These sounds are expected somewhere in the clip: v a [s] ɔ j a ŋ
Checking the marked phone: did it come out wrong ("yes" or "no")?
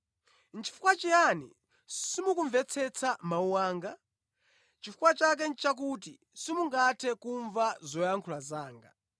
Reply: yes